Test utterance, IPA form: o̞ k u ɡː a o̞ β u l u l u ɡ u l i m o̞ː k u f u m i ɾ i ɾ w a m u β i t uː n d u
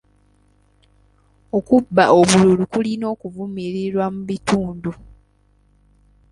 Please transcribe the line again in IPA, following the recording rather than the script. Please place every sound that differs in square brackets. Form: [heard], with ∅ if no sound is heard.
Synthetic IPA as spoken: o̞ k u [bː] a o̞ β u l u l u [k] u l i [n] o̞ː k u [v] u m i ɾ i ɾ w a m u β i t uː n d u